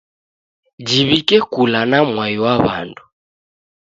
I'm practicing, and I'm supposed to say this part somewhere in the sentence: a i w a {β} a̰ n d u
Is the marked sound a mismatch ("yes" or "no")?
no